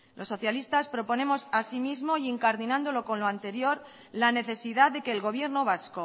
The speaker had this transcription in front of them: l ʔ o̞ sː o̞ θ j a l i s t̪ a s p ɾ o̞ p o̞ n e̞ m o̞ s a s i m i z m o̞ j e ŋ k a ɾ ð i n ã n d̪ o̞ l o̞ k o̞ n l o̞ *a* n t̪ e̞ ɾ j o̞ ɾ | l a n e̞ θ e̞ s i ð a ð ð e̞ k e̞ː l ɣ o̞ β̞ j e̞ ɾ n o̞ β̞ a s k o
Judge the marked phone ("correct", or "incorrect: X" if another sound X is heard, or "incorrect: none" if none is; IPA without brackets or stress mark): correct